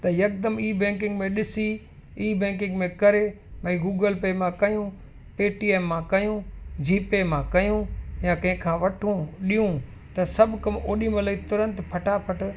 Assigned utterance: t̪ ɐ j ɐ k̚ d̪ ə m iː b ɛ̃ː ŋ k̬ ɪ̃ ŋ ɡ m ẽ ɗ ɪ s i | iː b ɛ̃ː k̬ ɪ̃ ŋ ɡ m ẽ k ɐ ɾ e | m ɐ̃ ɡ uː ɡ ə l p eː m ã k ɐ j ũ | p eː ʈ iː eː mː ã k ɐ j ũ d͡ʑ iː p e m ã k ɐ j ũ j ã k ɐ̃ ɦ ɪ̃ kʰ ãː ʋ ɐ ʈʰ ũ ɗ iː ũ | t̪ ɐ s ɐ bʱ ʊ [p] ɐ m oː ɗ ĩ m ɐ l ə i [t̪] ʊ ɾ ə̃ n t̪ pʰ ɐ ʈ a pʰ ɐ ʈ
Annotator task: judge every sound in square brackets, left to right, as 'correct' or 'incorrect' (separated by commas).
incorrect, correct